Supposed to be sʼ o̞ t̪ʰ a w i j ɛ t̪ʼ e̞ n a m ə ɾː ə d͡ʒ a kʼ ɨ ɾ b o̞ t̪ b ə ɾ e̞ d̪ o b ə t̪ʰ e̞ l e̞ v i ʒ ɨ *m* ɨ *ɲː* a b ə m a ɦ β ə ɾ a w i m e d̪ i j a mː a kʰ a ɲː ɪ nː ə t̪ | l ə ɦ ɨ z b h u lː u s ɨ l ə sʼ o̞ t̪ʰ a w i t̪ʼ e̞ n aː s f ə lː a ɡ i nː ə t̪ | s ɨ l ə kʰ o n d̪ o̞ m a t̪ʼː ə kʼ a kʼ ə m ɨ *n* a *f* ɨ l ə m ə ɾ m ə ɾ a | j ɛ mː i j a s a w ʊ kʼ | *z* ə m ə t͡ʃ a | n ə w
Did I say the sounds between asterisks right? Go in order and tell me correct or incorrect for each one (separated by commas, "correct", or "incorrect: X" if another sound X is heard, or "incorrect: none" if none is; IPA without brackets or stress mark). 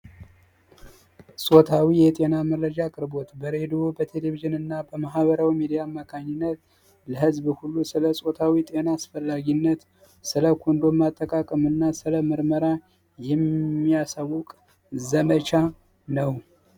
incorrect: n, incorrect: nː, incorrect: nː, incorrect: s, correct